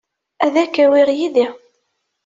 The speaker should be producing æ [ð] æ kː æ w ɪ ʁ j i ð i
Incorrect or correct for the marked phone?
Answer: correct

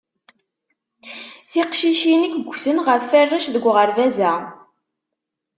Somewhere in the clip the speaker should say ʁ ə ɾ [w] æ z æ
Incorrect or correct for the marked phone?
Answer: incorrect: v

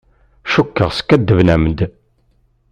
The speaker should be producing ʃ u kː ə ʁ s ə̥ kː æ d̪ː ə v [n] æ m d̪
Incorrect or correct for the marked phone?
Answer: correct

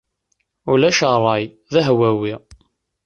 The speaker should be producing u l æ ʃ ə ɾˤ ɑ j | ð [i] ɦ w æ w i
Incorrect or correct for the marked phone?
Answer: incorrect: æ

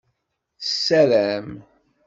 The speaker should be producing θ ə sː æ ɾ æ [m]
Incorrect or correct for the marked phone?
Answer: correct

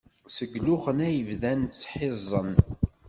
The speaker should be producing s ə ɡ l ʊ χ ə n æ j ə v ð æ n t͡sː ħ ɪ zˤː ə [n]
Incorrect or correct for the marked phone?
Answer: correct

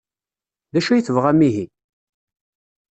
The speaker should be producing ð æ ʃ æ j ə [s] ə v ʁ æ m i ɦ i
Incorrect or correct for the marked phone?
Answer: incorrect: θ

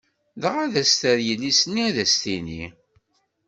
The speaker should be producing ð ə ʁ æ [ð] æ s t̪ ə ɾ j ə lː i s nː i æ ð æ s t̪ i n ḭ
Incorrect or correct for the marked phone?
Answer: correct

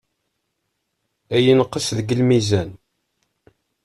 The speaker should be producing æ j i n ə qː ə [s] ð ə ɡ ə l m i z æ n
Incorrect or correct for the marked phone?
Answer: correct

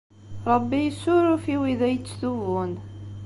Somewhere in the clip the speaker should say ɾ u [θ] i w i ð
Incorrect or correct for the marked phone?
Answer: incorrect: f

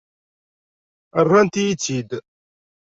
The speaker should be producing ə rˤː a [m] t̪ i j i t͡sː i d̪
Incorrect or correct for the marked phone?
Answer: incorrect: n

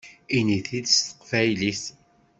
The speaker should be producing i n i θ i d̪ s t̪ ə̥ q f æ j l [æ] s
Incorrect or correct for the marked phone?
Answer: incorrect: i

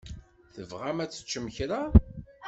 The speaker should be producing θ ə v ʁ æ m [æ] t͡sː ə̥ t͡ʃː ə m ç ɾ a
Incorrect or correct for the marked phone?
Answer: correct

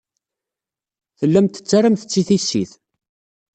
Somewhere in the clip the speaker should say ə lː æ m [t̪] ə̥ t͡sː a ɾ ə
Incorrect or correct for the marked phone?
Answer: correct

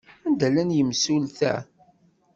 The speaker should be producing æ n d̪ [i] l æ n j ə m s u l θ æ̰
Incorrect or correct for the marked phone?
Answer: incorrect: æ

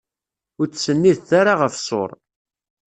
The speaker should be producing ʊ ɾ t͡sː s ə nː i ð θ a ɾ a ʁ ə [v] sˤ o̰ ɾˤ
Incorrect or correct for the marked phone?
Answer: incorrect: f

